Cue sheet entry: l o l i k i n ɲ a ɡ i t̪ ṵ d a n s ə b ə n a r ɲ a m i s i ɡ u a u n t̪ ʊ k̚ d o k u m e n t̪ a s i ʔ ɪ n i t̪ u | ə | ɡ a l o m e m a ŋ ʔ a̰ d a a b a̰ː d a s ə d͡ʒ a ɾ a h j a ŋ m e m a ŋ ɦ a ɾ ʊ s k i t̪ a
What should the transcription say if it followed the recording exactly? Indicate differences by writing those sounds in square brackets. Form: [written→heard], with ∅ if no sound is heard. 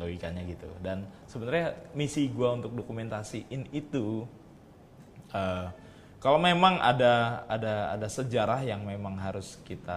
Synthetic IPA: l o [l→∅] i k [i→a] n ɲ a ɡ i t̪ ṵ d a n s ə b ə n a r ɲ a m i s i ɡ u a u n t̪ ʊ k̚ d o k u m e n t̪ a s i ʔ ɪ n i t̪ u | ə | [ɡ→k] a l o m e m a ŋ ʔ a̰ d a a [b→d] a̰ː d a s ə d͡ʒ a ɾ a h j a ŋ m e m a ŋ ɦ a ɾ ʊ s k i t̪ a